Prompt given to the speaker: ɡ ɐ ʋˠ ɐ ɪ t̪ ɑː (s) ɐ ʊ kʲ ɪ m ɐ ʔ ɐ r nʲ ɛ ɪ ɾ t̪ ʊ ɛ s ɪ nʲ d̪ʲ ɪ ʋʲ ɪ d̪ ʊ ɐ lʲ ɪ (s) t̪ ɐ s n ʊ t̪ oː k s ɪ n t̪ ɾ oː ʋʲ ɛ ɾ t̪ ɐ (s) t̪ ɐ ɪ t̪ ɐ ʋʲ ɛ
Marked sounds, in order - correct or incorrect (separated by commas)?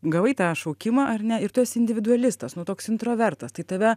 incorrect, correct, correct